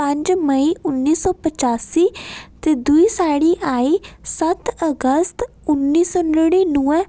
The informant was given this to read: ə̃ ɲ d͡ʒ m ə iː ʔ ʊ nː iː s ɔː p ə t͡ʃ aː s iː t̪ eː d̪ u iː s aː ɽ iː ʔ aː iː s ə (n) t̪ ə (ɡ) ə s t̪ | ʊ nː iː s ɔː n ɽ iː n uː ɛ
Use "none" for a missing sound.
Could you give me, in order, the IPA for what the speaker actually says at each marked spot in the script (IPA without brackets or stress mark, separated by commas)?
none, ɡ